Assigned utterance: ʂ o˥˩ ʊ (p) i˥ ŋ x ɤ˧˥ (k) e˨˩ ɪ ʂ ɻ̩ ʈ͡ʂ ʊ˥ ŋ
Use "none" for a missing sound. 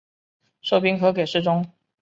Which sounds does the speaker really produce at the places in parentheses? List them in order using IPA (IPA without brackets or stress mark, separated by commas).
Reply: p, k